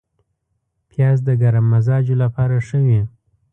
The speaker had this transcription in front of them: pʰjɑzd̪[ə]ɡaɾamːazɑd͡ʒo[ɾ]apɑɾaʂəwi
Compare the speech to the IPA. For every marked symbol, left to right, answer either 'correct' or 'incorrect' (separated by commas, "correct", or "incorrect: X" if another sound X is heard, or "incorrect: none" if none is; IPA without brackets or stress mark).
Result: correct, incorrect: l